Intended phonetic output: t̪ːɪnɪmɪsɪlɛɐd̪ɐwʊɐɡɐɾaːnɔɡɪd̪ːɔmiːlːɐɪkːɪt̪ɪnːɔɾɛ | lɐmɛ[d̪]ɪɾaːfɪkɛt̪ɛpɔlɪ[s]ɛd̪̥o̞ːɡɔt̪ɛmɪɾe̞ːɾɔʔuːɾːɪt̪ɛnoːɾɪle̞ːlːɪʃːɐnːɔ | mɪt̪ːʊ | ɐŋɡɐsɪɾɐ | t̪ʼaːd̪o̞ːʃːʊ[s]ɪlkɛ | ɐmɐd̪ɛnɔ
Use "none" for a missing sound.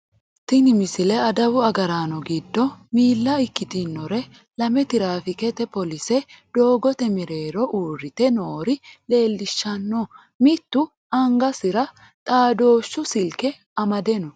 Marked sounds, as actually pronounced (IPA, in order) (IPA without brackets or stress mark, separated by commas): t̪, s, s